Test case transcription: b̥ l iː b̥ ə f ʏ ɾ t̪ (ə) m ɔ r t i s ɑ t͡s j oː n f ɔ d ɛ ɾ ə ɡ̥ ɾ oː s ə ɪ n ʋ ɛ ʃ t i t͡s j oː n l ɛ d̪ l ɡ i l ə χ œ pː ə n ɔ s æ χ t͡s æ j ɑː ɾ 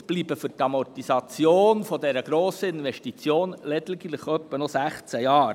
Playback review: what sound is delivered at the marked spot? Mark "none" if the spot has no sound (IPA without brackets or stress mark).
ɑ